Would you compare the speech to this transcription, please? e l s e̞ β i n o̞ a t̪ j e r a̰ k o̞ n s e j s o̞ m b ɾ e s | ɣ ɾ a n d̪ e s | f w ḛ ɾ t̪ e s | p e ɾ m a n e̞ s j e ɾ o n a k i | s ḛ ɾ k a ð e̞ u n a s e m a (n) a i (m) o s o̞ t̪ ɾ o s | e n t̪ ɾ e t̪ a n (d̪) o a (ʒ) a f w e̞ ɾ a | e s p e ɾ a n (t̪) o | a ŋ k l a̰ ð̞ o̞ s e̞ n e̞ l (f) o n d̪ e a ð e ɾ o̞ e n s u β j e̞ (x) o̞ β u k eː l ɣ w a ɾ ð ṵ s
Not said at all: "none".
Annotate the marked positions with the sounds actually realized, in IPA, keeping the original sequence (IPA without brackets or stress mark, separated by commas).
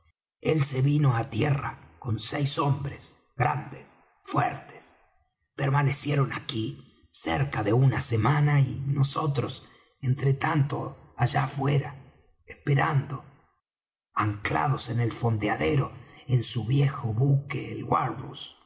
n, n, t̪, ʒ, d̪, f, x